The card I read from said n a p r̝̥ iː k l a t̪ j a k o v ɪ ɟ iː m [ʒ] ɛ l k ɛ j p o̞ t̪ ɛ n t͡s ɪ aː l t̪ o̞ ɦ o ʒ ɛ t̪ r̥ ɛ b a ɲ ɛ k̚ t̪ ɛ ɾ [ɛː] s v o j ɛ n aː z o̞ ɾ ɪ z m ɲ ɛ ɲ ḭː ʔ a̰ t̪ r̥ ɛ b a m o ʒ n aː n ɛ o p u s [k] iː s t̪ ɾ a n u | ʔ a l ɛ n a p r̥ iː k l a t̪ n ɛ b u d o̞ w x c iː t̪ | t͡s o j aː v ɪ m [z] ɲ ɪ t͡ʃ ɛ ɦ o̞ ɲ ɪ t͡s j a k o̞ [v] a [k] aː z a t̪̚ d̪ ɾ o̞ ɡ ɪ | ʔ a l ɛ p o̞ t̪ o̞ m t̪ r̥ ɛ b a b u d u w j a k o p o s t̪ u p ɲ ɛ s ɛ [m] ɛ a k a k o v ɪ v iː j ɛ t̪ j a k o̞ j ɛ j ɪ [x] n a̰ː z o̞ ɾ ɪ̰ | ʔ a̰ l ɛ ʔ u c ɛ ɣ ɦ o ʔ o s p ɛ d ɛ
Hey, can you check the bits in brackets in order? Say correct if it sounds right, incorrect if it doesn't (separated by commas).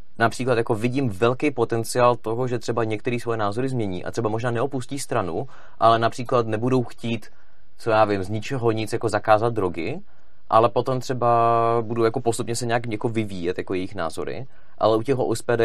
incorrect, incorrect, incorrect, correct, incorrect, correct, incorrect, correct